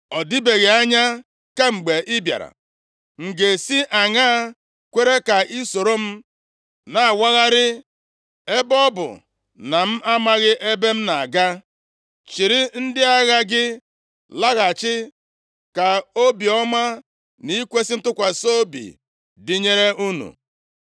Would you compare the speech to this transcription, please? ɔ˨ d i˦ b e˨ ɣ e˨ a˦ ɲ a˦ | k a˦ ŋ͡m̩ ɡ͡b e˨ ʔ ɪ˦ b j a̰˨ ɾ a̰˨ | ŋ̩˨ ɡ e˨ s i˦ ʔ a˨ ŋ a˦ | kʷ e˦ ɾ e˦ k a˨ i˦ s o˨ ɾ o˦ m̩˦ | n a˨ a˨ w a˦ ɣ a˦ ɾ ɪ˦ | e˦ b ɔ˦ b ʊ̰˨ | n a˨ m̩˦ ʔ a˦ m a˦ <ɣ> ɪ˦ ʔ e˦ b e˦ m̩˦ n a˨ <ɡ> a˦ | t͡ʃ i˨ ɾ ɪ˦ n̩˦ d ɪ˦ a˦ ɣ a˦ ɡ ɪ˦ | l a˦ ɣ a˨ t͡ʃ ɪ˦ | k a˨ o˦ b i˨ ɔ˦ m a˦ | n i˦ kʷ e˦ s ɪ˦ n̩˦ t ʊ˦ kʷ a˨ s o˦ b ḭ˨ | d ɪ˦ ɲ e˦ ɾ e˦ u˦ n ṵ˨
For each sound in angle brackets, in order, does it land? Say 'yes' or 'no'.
yes, yes

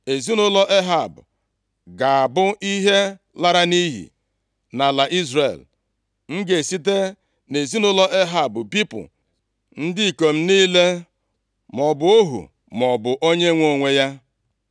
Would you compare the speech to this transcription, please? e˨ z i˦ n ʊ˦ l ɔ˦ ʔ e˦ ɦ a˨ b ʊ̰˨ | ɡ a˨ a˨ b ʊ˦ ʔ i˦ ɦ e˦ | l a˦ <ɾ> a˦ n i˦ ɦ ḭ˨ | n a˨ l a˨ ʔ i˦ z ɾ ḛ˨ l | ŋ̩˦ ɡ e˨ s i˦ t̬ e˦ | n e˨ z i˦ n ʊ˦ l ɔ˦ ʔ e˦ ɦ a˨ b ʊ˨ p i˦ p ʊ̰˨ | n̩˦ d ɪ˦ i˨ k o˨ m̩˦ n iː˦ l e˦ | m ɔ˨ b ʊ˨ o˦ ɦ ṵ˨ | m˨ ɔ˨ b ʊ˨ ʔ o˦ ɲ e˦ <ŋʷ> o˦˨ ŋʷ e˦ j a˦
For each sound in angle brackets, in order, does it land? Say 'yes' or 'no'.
yes, yes

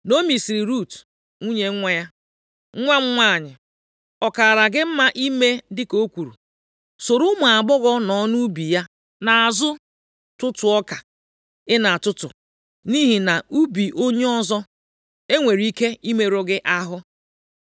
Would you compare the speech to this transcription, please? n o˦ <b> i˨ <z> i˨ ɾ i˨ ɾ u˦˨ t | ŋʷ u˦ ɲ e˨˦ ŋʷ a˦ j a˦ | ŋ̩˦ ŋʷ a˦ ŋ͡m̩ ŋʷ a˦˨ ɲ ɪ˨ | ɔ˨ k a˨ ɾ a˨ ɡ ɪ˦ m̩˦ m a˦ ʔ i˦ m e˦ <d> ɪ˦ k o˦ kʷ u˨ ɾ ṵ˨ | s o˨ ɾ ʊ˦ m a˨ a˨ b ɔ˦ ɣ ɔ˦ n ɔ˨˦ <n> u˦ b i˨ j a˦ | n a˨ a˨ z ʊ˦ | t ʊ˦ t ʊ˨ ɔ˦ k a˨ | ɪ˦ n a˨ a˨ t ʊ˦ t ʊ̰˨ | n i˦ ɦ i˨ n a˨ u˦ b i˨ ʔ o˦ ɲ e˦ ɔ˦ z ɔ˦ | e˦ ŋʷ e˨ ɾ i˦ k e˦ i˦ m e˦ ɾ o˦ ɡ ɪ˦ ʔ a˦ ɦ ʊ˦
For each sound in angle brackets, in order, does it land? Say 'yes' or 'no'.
no, no, yes, yes

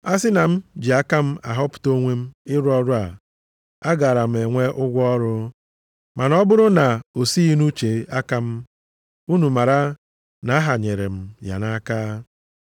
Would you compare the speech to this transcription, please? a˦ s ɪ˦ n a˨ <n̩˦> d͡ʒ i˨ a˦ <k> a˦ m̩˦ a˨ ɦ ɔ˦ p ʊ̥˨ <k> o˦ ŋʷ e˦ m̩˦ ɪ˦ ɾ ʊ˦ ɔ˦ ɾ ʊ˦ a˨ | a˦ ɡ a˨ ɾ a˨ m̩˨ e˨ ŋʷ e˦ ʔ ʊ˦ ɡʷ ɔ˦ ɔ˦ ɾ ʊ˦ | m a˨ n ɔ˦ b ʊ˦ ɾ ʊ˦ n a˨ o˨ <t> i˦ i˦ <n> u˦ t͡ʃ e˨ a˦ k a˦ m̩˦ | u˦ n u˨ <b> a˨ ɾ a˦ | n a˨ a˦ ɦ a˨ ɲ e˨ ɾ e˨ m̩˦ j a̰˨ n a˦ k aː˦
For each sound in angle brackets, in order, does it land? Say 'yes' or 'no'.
no, yes, no, no, yes, no

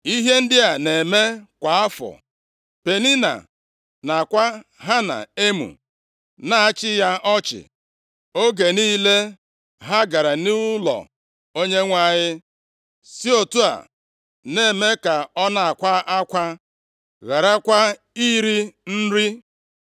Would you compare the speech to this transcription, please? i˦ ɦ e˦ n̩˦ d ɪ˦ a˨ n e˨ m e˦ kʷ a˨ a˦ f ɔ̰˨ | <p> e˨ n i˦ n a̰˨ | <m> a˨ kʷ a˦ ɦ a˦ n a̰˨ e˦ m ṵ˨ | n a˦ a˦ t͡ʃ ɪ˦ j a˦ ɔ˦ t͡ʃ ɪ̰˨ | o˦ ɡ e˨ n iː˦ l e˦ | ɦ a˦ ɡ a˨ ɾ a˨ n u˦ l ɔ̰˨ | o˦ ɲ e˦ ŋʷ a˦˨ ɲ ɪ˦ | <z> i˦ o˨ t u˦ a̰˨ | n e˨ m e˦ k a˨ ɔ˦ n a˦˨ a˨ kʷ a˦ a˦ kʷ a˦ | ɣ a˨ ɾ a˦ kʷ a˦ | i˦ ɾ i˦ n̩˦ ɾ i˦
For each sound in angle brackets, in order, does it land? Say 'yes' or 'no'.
yes, no, no

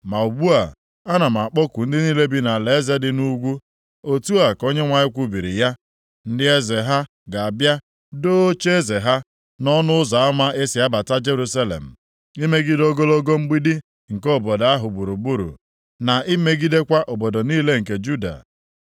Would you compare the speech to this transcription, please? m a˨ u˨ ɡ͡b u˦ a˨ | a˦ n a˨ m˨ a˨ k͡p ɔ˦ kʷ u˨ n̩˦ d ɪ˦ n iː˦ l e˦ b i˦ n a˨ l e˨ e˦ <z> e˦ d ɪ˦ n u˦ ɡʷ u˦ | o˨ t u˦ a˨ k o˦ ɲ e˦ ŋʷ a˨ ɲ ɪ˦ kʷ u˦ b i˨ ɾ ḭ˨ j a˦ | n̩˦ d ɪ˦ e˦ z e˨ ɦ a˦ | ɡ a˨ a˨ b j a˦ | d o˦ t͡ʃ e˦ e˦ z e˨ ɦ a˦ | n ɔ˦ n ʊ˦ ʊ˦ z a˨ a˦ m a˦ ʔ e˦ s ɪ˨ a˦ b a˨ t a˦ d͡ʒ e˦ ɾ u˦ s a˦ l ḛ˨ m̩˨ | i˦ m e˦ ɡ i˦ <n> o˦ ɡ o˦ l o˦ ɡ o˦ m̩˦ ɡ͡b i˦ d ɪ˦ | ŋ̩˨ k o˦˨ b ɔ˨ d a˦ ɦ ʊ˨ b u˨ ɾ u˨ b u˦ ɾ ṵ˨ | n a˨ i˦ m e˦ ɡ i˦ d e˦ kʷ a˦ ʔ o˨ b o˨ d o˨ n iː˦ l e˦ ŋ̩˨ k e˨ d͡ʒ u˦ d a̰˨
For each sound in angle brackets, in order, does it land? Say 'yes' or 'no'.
yes, no

